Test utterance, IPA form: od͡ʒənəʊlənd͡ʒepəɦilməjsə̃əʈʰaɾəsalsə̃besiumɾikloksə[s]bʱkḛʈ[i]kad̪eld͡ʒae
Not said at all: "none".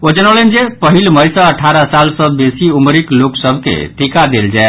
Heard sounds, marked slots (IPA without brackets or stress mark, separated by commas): none, i